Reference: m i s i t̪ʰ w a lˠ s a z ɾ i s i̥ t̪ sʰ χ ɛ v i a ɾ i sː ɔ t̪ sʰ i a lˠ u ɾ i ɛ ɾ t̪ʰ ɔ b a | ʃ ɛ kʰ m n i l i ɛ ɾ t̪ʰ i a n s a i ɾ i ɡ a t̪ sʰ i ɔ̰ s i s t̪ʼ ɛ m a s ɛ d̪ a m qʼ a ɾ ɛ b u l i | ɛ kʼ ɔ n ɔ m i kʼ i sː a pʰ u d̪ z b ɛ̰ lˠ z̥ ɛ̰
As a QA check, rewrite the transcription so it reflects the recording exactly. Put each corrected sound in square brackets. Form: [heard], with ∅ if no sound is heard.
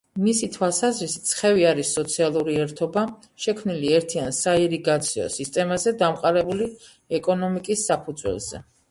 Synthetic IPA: m i s i t̪ʰ w a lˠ s a z ɾ i s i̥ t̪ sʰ χ ɛ v i a ɾ i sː ɔ t̪ sʰ i a lˠ u ɾ i ɛ ɾ t̪ʰ ɔ b a | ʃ ɛ kʰ m n i l i ɛ ɾ t̪ʰ i a n s a i ɾ i ɡ a t̪ sʰ i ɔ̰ s i s t̪ʼ ɛ m a [z] ɛ d̪ a m qʼ a ɾ ɛ b u l i | ɛ kʼ ɔ n ɔ m i kʼ i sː a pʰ u d̪ z [w] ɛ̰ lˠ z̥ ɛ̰